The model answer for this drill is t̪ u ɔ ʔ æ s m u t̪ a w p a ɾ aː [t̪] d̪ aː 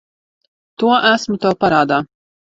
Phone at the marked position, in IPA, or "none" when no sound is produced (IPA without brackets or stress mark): none